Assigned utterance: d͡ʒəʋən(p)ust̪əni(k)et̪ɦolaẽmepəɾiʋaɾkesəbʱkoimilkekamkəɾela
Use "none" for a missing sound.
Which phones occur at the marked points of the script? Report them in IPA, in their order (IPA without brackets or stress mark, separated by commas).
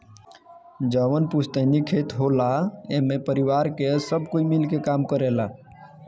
p, kʰ